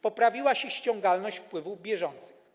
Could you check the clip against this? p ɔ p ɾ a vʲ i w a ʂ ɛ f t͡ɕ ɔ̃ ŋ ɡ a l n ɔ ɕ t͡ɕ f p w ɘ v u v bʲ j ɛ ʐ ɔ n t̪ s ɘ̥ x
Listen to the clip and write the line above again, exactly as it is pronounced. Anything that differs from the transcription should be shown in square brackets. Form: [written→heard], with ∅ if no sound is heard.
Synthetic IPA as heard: p ɔ p ɾ a vʲ i w a [ʂ→ɕ] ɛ [f→ɕ] t͡ɕ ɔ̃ ŋ ɡ a l n ɔ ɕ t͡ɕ f p w ɘ v u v bʲ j ɛ ʐ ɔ n t̪ s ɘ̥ x